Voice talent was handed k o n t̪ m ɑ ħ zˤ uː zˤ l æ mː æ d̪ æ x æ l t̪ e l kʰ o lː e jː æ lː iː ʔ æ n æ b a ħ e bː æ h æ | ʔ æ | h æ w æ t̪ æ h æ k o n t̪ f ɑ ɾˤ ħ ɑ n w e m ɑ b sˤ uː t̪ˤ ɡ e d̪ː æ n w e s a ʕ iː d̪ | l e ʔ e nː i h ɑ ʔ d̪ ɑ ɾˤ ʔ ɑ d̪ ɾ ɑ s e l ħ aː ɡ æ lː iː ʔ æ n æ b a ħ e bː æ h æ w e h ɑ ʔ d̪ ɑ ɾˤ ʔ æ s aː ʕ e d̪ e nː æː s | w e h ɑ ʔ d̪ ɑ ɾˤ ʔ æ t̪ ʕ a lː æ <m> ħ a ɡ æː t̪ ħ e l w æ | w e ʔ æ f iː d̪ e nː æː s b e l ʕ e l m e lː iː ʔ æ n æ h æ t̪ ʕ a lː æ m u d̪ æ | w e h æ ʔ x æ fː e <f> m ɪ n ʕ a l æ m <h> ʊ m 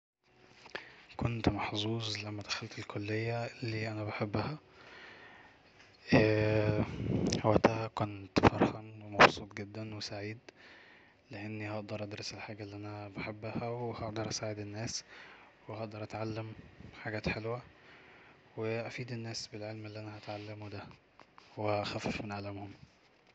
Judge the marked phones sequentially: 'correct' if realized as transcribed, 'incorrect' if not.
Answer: correct, correct, correct

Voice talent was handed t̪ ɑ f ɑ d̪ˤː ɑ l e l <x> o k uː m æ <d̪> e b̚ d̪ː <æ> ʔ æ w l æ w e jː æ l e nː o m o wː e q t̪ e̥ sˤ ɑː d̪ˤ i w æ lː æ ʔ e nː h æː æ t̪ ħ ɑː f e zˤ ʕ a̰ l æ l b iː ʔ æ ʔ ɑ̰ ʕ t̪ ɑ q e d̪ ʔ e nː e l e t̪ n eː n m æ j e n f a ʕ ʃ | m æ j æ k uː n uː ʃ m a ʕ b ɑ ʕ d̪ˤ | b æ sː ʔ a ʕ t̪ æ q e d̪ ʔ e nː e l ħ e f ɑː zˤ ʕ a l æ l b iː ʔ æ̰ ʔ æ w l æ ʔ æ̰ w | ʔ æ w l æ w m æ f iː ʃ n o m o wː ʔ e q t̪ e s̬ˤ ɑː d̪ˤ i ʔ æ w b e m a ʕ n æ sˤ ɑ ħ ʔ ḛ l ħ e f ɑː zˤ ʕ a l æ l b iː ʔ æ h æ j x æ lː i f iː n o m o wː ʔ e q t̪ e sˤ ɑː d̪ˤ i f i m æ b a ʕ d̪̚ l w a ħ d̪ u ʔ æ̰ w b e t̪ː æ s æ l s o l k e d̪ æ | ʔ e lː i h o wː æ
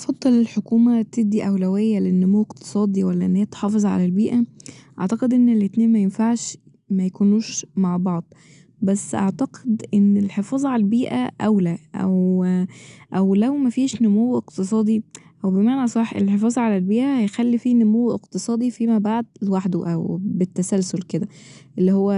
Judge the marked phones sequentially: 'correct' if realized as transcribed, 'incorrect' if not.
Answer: incorrect: ħ, incorrect: t̪, incorrect: i

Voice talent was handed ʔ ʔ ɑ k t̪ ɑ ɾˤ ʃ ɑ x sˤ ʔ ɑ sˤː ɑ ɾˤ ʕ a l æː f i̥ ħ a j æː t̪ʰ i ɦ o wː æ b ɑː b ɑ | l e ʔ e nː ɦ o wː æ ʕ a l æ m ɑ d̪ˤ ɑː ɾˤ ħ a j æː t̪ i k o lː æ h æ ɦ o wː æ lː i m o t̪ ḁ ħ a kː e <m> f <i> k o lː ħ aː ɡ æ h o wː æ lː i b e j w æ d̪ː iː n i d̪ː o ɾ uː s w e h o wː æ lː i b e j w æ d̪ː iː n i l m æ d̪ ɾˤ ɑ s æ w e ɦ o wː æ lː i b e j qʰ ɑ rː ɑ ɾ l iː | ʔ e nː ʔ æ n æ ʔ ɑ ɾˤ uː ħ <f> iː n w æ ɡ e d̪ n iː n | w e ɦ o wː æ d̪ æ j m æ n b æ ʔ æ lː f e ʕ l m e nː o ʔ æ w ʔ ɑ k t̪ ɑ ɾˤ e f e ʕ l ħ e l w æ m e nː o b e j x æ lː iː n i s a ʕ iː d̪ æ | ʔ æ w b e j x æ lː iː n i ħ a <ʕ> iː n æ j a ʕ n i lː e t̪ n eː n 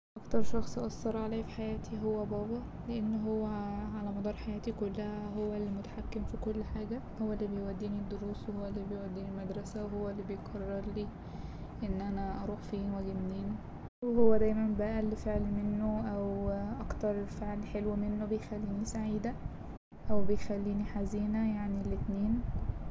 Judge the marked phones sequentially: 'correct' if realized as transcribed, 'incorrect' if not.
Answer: correct, correct, correct, incorrect: z

